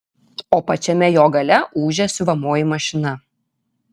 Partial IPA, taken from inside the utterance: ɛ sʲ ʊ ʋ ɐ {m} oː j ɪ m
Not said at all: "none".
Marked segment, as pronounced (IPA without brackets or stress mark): m